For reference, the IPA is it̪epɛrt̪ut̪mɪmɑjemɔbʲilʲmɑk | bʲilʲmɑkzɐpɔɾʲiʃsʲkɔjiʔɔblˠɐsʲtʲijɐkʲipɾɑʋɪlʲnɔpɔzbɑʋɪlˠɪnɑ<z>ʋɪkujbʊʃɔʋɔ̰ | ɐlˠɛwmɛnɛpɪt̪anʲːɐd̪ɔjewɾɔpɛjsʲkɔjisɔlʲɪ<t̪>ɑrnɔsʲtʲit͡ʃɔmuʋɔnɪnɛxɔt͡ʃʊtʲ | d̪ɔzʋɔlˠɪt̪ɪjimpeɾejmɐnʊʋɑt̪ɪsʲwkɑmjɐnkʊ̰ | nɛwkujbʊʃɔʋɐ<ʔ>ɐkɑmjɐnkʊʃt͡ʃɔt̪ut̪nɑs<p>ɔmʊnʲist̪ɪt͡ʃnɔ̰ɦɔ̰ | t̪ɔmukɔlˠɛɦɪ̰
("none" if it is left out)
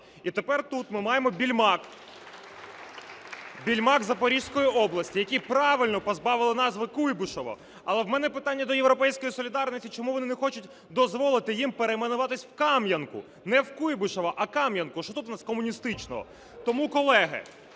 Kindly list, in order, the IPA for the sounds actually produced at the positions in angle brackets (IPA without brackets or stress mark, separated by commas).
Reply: z, d̪, ʔ, k